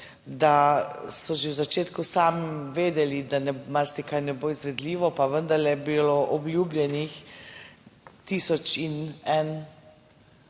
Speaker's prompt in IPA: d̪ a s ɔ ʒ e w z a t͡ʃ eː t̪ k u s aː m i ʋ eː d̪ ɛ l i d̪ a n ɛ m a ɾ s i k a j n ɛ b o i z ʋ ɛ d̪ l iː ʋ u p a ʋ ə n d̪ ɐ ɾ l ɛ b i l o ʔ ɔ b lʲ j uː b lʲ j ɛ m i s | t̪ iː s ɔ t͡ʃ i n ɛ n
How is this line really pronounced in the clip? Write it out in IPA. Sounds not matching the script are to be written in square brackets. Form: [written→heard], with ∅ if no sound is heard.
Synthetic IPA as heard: d̪ a s ɔ ʒ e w z a t͡ʃ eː t̪ k u s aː m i ʋ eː d̪ ɛ l i d̪ a n ɛ m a ɾ s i k a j n ɛ b o i z ʋ ɛ d̪ l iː ʋ [u→ɔ] p a ʋ ə n d̪ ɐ ɾ l ɛ b i l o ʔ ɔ b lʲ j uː b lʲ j ɛ [m→n] i [s→x] | t̪ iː s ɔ t͡ʃ i n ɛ n